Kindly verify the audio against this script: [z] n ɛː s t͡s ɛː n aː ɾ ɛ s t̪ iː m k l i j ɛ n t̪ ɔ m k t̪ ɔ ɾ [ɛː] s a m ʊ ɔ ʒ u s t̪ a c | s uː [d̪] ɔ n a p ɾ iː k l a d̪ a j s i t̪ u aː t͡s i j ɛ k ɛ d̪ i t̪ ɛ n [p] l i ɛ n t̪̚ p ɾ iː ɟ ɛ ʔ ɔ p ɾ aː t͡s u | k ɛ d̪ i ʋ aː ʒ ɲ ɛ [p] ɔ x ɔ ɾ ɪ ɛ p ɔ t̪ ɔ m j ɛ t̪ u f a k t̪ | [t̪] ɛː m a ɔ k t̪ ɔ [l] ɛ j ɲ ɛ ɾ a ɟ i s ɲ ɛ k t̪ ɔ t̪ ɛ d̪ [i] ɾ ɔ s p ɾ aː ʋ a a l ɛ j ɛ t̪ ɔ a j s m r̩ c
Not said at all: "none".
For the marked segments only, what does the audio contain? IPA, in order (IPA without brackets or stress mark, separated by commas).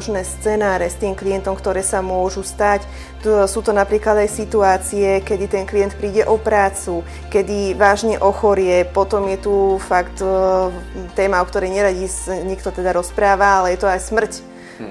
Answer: ʒ, ɛː, t̪, k, ʔ, t̪, ɾ, a